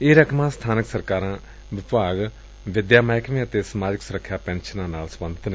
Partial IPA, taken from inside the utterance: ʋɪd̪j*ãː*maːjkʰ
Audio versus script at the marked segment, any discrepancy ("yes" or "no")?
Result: yes